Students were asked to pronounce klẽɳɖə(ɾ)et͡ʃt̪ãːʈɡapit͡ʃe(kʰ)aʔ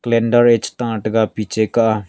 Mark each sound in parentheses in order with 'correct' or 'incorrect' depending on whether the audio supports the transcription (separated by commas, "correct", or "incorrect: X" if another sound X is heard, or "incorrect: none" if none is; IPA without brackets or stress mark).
correct, incorrect: k